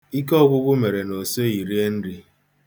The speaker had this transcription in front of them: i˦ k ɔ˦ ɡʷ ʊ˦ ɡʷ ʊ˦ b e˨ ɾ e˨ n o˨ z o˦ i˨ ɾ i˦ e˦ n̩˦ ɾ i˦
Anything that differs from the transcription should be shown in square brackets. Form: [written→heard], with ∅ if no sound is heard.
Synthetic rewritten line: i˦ k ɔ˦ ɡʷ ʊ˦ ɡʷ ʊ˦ [b→m] e˨ ɾ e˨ n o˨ [z→s] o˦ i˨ ɾ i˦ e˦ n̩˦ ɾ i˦